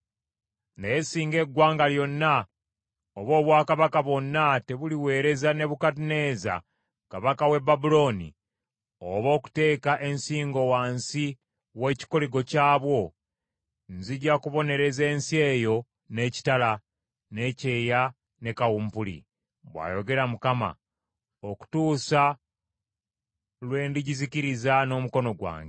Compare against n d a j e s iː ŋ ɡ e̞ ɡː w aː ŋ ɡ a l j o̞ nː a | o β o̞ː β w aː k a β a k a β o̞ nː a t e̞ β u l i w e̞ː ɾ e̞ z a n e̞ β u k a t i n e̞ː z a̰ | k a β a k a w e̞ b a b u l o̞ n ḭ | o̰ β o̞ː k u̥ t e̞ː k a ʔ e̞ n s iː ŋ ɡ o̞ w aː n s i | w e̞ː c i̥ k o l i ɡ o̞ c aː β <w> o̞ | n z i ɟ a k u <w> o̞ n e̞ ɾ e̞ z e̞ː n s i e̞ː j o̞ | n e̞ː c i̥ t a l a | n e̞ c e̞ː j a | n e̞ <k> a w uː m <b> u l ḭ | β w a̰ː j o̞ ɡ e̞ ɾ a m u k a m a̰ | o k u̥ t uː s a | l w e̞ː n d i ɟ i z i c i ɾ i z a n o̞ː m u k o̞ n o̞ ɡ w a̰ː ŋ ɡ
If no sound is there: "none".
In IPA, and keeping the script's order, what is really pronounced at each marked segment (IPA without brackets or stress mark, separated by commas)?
w, β, k, p